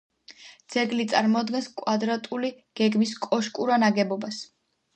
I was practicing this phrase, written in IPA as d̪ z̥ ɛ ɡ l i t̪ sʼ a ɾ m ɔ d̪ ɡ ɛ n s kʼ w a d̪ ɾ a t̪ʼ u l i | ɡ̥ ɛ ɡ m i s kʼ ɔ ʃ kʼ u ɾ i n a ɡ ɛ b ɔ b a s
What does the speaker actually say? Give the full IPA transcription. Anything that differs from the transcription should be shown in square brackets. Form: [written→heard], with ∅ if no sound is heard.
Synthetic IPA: d̪ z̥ ɛ ɡ l i t̪ sʼ a ɾ m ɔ d̪ ɡ ɛ n s kʼ w a d̪ ɾ a t̪ʼ u l i | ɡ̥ ɛ ɡ m i s kʼ ɔ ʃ kʼ u ɾ [i→a] n a ɡ ɛ b ɔ b a s